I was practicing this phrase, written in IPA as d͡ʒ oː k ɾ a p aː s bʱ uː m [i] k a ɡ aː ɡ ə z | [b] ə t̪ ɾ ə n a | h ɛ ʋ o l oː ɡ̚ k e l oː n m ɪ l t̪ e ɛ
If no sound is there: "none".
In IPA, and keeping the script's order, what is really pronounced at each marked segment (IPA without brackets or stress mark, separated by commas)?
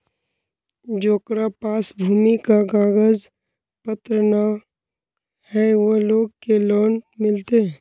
i, p